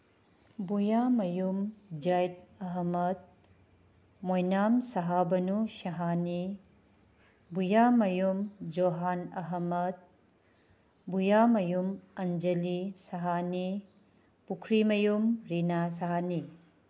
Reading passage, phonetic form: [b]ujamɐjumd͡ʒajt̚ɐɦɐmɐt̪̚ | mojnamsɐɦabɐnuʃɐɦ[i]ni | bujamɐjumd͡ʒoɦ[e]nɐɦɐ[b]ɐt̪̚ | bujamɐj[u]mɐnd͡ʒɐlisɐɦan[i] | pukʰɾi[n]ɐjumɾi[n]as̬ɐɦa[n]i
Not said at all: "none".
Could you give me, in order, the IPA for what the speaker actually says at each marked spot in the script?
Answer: b, a, a, m, u, i, m, n, n

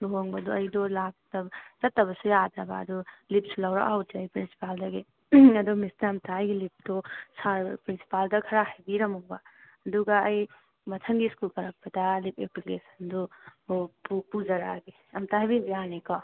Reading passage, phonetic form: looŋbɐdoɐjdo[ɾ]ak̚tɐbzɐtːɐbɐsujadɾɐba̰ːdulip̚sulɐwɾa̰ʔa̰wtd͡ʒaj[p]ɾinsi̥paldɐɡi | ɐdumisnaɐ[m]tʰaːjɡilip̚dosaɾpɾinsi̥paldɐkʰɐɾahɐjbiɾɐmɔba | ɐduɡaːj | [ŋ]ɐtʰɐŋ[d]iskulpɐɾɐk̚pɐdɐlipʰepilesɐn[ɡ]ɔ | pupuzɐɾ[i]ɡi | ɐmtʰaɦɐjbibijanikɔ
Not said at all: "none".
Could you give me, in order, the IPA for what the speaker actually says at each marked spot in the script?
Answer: l, p, m, m, ɡ, d, a

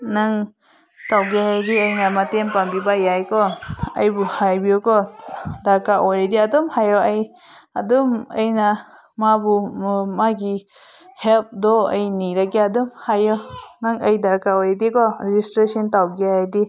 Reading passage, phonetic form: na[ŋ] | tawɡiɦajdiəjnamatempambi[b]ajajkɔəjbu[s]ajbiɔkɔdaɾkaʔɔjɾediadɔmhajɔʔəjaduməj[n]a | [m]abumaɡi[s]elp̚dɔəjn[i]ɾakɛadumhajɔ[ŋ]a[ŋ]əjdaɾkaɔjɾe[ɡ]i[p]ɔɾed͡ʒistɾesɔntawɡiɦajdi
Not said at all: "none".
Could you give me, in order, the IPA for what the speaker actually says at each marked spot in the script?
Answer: ŋ, b, h, n, m, h, i, n, ŋ, d, k

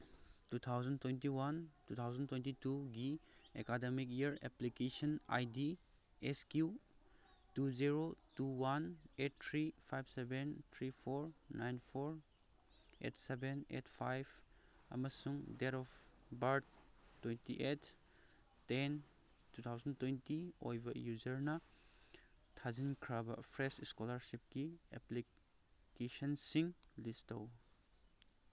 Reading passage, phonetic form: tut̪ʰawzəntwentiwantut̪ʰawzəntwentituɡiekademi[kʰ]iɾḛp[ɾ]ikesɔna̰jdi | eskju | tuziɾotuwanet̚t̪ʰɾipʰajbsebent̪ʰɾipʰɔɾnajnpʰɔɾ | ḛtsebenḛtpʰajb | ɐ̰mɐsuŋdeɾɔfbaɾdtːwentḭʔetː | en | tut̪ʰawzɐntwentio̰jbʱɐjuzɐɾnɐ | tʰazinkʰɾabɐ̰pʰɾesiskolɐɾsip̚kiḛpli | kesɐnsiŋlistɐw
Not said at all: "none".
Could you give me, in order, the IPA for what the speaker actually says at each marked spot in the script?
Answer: k, l

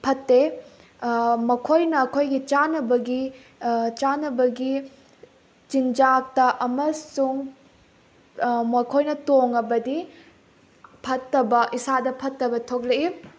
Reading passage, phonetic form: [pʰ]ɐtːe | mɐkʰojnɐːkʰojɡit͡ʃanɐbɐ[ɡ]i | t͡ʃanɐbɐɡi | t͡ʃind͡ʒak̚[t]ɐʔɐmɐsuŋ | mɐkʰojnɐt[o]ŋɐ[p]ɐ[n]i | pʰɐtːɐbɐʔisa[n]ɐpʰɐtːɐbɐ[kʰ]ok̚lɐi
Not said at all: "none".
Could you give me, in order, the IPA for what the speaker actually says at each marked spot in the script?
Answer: pʰ, ɡ, t, o, b, d, d, tʰ

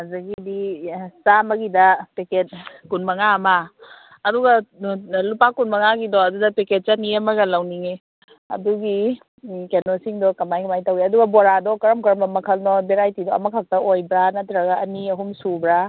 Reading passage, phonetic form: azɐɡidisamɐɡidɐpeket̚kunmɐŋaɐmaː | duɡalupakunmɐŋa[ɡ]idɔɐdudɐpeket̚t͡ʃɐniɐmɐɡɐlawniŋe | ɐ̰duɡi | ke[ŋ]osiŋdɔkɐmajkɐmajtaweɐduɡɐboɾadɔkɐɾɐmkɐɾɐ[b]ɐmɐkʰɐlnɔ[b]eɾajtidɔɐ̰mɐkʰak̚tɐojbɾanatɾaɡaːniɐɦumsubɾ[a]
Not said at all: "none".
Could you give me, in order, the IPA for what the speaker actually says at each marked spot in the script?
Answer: ɡ, n, m, b, a

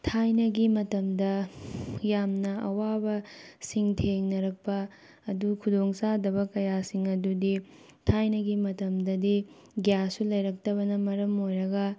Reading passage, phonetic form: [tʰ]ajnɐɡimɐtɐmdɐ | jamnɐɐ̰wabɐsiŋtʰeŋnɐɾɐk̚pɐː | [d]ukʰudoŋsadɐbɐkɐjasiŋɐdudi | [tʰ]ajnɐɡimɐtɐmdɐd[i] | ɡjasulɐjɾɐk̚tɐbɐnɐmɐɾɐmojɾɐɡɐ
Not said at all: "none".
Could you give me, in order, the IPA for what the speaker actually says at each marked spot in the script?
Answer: tʰ, d, tʰ, i

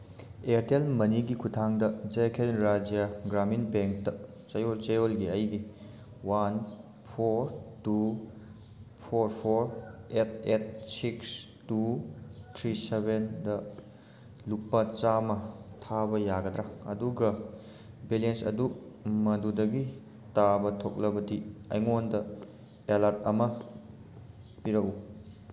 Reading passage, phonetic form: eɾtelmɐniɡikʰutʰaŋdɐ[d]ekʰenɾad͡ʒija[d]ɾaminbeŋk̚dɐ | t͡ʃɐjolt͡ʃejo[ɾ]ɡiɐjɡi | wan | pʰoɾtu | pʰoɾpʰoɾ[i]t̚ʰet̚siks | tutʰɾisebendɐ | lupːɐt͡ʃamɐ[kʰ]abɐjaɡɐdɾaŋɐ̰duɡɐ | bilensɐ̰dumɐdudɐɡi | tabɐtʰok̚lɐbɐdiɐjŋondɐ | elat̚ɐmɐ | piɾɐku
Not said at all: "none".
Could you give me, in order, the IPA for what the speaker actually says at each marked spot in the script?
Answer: d͡ʒ, ɡ, l, e, tʰ

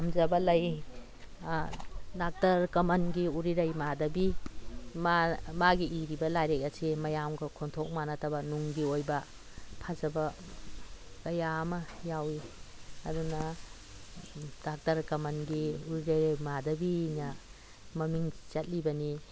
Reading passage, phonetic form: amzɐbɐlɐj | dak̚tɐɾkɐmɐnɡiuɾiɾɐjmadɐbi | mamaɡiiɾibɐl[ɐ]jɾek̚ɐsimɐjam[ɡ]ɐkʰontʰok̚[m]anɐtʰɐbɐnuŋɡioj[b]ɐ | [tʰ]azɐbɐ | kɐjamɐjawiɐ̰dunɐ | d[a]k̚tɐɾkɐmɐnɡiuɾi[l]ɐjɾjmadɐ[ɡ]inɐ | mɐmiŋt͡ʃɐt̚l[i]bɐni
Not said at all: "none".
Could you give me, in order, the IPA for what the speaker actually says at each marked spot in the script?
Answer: a, ɡ, m, b, pʰ, a, ɾ, b, i

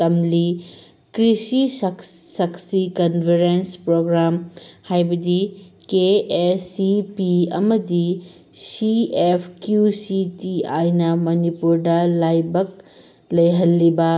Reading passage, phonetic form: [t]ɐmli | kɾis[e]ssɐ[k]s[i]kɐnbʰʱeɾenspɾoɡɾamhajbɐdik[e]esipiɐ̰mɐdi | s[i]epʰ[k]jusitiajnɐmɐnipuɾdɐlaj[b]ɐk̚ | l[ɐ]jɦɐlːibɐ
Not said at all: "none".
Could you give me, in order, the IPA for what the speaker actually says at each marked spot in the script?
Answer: t, i, k, i, e, i, k, b, ɐ

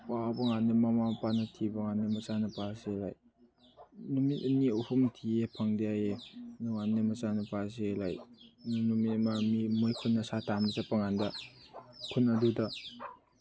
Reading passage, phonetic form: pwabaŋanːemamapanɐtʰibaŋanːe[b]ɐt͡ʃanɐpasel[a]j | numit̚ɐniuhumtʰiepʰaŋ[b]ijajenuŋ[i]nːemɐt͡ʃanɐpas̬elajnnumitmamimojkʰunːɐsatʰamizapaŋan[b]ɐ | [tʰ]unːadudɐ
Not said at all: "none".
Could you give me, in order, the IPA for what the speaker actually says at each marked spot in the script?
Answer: m, a, d, a, d, kʰ

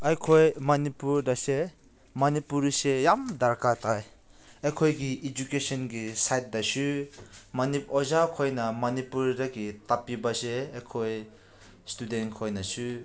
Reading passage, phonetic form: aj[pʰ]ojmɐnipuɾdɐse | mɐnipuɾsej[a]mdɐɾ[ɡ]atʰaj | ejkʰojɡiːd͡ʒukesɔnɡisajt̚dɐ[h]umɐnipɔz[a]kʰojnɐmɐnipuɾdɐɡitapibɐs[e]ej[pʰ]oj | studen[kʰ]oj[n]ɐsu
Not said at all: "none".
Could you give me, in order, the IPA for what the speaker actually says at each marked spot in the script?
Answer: kʰ, a, k, s, a, e, kʰ, kʰ, n

